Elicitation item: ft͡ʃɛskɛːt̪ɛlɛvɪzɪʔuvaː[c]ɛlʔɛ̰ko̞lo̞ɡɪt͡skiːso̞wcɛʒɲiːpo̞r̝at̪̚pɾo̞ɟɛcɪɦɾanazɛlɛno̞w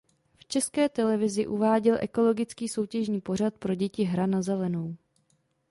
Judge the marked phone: incorrect: ɟ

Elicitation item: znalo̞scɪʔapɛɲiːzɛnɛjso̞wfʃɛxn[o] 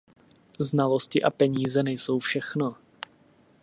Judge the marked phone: correct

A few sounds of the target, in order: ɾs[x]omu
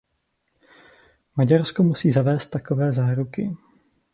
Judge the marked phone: incorrect: k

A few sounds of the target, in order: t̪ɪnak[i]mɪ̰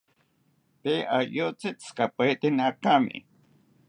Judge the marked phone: incorrect: a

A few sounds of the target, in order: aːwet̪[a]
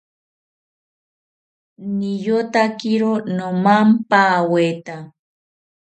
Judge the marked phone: correct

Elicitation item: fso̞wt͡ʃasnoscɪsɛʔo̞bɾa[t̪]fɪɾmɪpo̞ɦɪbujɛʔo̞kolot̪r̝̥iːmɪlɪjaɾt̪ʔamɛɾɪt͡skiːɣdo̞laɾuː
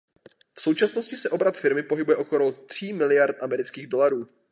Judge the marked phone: correct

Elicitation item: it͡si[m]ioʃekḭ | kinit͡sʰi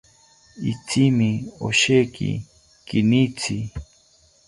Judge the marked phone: correct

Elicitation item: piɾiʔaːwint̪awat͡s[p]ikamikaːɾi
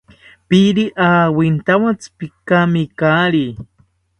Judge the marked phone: correct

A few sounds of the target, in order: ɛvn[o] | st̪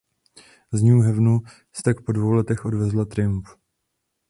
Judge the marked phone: incorrect: u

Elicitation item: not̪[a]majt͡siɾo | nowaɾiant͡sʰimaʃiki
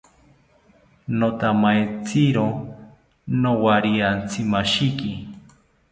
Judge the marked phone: correct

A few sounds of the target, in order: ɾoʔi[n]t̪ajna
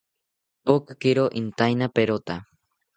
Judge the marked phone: correct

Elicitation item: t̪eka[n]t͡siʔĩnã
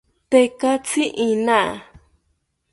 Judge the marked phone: incorrect: none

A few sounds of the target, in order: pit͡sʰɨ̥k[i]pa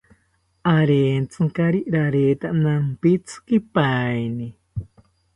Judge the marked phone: correct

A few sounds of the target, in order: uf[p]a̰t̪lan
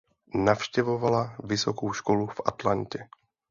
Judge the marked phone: incorrect: ʔ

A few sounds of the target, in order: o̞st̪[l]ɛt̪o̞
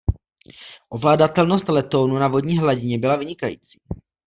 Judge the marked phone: correct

